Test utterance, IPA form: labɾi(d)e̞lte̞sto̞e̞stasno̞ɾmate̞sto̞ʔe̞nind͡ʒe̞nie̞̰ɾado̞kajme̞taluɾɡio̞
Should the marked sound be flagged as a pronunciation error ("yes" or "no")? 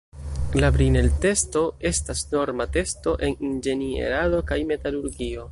yes